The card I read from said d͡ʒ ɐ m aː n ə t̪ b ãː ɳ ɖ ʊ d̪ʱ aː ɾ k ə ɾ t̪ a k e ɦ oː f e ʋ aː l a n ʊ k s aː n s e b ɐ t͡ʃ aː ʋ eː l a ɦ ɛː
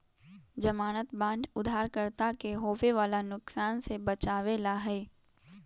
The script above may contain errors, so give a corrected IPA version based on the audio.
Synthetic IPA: d͡ʒ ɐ m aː n ə t̪ b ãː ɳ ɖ ʊ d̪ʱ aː ɾ k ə ɾ t̪ a k e ɦ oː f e ʋ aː l a n ʊ k s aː n s e b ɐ t͡ʃ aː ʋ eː l a ɦ ɛː